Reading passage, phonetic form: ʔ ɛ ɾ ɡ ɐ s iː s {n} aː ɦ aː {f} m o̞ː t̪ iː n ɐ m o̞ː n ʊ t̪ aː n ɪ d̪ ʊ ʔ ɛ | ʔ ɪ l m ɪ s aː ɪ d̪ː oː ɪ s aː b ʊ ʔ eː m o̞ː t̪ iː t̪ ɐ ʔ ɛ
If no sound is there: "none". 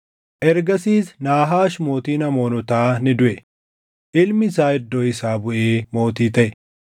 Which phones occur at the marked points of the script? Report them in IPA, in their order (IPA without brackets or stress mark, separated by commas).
n, ʃ